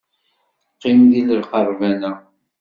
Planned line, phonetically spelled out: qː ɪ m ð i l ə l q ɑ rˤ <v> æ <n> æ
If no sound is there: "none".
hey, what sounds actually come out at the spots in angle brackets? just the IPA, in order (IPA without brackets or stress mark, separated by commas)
v, n